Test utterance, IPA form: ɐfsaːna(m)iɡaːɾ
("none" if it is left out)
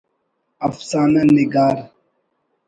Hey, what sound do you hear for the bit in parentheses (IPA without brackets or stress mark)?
n